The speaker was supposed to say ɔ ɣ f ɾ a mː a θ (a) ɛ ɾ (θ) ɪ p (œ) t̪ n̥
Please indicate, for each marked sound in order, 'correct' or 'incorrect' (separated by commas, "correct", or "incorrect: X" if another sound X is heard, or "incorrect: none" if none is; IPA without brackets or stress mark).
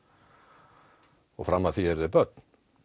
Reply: incorrect: i, incorrect: ð, correct